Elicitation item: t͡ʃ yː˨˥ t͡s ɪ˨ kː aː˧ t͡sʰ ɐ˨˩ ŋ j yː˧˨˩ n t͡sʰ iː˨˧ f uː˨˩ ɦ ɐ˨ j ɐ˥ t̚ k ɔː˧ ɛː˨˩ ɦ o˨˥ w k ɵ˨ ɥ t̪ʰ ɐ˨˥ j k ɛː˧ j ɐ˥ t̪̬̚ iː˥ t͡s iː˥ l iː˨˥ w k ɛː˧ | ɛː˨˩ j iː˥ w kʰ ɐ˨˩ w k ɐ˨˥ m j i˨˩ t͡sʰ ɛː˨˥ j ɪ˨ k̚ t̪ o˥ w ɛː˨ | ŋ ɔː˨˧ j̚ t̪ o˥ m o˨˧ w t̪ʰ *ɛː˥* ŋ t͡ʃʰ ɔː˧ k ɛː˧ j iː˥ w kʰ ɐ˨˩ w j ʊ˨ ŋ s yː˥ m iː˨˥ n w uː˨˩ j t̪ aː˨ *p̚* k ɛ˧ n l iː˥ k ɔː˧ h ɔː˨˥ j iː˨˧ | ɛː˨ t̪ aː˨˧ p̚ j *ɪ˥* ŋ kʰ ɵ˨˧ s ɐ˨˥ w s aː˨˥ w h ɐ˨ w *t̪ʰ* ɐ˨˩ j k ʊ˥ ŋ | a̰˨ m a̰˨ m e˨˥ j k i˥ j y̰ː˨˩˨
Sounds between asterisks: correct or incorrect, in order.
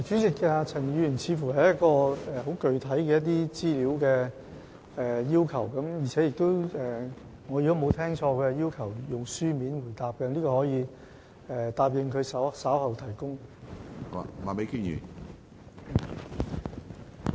correct, correct, incorrect, correct

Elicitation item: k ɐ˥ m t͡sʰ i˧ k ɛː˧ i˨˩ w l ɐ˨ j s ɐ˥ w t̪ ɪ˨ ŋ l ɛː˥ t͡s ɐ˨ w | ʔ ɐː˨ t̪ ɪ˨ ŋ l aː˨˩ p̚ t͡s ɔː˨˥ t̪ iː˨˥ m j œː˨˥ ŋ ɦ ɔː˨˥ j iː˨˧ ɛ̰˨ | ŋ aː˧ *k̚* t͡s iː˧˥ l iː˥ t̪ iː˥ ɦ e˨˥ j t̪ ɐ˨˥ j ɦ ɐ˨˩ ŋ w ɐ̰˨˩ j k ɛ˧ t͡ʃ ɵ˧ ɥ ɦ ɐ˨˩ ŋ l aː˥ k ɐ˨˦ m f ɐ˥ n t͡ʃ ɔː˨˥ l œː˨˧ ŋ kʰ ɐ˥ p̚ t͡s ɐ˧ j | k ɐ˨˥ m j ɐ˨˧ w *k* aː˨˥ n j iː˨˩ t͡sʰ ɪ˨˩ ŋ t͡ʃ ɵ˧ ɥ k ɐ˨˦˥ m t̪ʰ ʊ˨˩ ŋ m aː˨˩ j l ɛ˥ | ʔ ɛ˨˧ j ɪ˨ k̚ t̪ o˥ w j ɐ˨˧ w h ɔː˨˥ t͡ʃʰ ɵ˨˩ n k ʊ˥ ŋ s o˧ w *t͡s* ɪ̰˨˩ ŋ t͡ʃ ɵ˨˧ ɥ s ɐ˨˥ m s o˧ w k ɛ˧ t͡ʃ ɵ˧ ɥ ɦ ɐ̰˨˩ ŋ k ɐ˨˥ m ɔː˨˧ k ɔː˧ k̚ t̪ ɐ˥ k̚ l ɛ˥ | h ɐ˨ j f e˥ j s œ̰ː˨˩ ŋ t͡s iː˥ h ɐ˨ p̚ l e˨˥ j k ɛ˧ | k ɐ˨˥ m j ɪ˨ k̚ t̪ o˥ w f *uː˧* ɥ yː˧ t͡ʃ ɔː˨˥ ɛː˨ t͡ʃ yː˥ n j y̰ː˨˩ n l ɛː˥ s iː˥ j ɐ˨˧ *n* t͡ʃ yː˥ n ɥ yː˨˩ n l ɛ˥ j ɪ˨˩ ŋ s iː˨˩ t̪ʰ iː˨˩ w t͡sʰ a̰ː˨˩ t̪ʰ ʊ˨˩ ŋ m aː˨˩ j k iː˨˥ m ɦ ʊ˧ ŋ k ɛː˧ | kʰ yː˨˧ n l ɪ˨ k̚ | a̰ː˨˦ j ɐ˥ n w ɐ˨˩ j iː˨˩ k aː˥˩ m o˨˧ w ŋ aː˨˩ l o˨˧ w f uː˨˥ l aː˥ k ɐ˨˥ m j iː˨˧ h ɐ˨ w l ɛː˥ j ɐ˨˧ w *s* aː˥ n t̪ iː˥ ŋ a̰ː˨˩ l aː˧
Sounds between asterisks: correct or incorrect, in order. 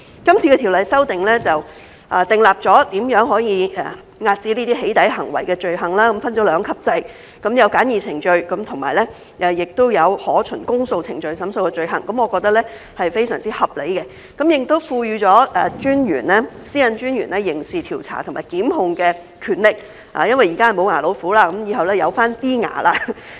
incorrect, correct, incorrect, correct, correct, incorrect

